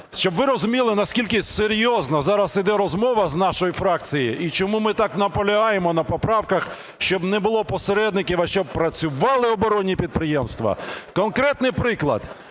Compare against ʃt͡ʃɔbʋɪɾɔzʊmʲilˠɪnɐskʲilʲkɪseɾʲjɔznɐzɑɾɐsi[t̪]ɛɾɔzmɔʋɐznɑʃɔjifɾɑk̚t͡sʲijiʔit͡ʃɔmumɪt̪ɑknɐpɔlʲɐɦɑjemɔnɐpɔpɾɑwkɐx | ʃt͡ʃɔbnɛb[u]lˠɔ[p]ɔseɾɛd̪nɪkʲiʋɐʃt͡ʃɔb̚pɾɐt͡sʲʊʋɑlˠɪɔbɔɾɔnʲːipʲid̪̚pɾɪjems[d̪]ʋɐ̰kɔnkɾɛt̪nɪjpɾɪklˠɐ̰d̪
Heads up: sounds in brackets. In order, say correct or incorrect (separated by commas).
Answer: incorrect, incorrect, correct, incorrect